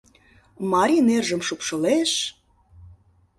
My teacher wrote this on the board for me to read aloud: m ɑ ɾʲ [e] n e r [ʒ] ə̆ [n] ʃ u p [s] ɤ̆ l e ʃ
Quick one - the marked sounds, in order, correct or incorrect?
incorrect: i, correct, incorrect: m, incorrect: ʃ

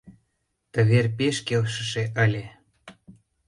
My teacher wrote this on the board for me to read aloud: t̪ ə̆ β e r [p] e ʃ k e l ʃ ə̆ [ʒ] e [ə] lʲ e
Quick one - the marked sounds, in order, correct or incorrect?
correct, incorrect: ʃ, correct

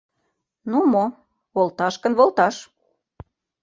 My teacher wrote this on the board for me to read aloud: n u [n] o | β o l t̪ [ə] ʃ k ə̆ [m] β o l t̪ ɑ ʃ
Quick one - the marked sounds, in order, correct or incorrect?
incorrect: m, incorrect: ɑ, incorrect: n

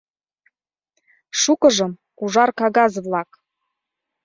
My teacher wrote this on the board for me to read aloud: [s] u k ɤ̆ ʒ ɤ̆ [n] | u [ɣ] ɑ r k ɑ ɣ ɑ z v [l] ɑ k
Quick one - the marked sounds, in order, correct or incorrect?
incorrect: ʃ, incorrect: m, incorrect: ʒ, correct

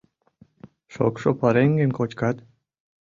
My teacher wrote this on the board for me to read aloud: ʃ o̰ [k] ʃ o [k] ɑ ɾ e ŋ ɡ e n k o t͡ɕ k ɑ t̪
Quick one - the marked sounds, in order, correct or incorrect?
correct, incorrect: p

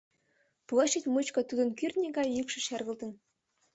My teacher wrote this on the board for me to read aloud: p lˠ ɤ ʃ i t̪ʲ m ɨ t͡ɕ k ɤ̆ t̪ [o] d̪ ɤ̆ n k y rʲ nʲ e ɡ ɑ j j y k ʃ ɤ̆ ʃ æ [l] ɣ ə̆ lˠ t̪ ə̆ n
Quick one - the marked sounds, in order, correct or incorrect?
incorrect: u, incorrect: r

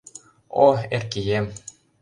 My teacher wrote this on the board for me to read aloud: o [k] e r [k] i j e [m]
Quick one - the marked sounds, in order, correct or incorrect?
incorrect: none, correct, correct

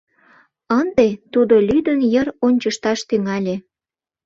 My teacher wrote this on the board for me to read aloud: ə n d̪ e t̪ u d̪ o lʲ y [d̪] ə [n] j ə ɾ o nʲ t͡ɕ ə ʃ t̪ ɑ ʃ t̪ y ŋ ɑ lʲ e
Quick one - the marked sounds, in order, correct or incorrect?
correct, correct

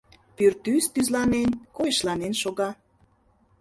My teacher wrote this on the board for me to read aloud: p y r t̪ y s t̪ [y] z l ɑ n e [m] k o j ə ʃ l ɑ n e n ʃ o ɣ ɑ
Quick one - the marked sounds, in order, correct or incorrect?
correct, incorrect: n

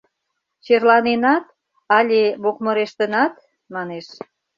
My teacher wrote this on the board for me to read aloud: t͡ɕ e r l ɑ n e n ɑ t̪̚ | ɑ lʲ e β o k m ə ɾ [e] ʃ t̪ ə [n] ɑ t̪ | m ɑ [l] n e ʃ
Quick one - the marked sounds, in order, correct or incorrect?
correct, correct, incorrect: none

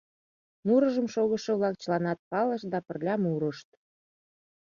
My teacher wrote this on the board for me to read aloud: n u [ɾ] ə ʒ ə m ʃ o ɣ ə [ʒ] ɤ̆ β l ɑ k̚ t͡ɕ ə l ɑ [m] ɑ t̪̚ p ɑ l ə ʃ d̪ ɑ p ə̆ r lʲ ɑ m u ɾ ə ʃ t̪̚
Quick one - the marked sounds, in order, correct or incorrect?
correct, incorrect: ʃ, incorrect: n

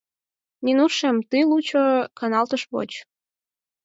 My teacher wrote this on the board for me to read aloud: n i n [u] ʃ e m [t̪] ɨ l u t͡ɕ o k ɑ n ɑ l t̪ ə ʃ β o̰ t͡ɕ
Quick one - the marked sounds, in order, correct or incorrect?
correct, correct

